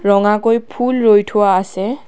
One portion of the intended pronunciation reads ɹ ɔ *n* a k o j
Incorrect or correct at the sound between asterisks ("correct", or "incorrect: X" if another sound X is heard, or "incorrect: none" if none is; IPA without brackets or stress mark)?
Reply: incorrect: ŋ